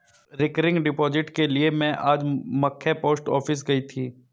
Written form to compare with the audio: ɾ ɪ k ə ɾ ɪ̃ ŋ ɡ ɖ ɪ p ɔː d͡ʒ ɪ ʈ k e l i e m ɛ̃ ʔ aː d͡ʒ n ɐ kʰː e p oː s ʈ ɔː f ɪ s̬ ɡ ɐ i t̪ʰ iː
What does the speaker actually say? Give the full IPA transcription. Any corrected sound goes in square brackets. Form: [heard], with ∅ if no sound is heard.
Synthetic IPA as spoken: ɾ ɪ k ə ɾ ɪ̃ ŋ ɡ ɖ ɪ p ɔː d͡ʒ ɪ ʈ k e l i e m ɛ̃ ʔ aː d͡ʒ [m] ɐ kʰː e p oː s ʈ ɔː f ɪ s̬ ɡ ɐ i t̪ʰ iː